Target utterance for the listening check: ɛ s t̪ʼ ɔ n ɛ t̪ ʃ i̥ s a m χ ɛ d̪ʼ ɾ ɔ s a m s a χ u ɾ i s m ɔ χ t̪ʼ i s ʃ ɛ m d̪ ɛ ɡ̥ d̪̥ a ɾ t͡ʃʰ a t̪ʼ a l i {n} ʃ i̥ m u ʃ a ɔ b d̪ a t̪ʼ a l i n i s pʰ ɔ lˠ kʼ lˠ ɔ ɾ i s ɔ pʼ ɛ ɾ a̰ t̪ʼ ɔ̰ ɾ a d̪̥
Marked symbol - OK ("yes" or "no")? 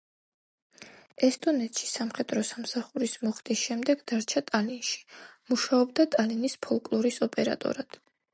yes